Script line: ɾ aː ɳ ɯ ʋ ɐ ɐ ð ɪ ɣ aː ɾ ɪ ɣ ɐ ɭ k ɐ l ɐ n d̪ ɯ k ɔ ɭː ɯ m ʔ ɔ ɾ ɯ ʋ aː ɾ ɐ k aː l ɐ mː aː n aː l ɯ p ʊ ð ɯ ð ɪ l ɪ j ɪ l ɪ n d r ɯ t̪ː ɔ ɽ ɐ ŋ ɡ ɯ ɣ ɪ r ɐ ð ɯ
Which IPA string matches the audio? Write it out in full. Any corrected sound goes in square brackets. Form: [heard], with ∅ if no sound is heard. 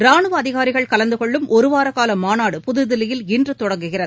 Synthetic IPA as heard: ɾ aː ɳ ɯ ʋ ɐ ɐ ð ɪ ɣ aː ɾ ɪ ɣ ɐ ɭ k ɐ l ɐ n d̪ ɯ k ɔ ɭː ɯ m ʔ ɔ ɾ ɯ ʋ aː ɾ ɐ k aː l ɐ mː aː n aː [ɽ] ɯ p ʊ ð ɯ ð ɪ l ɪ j ɪ l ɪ n d r ɯ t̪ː ɔ ɽ ɐ ŋ ɡ ɯ ɣ ɪ r ɐ ð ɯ